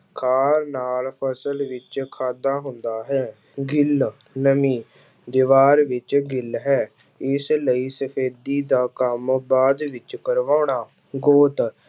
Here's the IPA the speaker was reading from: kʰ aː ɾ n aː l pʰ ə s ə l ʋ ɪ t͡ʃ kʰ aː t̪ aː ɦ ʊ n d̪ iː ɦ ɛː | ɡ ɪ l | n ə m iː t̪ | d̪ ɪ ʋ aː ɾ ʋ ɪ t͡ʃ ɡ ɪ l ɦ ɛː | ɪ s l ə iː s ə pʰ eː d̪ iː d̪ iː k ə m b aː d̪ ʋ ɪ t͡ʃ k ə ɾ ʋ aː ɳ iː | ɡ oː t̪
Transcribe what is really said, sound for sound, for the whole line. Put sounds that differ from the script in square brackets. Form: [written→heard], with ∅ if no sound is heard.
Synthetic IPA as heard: kʰ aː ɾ n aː l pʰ ə s ə l ʋ ɪ t͡ʃ kʰ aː [t̪→d̪] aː ɦ ʊ n d̪ [iː→aː] ɦ ɛː | ɡ ɪ l | n ə m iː [t̪→∅] | d̪ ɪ ʋ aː ɾ ʋ ɪ t͡ʃ ɡ ɪ l ɦ ɛː | ɪ s l ə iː s ə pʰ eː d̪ iː d̪ [iː→aː] k ə m b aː d̪ ʋ ɪ t͡ʃ k ə ɾ ʋ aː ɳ [iː→aː] | ɡ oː t̪